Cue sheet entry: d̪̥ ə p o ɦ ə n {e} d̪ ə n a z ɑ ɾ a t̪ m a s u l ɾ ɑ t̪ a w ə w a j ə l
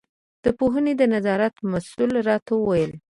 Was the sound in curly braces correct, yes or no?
yes